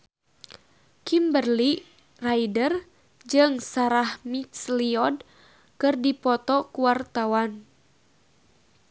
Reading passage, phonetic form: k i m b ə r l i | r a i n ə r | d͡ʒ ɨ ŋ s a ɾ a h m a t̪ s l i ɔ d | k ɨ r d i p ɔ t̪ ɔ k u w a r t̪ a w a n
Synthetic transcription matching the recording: k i m b ə r l i | r a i d ə r | d͡ʒ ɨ ŋ s a ɾ a h m i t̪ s l i ɔ d | k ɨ r d i p ɔ t̪ ɔ k u w a r t̪ a w a n